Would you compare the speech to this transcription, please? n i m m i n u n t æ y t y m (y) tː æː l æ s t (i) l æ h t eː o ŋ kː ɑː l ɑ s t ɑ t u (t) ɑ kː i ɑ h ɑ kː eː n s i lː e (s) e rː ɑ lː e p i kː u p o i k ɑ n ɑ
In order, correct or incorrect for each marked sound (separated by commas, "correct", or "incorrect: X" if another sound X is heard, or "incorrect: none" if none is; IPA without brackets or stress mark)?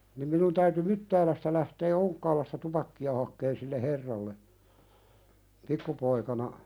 correct, incorrect: æ, incorrect: p, incorrect: h